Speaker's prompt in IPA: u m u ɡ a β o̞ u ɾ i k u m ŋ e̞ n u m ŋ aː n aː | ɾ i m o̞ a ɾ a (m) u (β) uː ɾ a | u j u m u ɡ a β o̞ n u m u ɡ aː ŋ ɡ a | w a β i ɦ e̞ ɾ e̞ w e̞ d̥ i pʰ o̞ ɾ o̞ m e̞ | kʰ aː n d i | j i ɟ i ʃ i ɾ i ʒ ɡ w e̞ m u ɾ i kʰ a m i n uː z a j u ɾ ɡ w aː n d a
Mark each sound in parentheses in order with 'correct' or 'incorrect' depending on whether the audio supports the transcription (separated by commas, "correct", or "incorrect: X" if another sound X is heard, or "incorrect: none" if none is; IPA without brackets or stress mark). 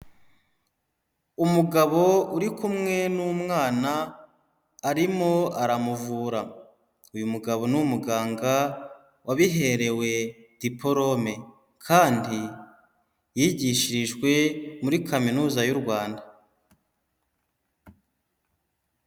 correct, incorrect: v